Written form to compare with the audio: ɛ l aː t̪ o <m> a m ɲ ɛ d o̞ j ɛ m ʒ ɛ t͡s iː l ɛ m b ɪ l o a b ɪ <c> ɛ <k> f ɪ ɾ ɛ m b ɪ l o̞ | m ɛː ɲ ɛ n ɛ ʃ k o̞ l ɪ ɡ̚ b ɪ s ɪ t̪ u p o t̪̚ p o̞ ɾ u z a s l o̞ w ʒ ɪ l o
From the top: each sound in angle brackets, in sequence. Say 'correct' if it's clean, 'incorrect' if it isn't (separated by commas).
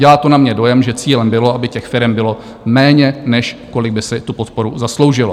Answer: incorrect, correct, incorrect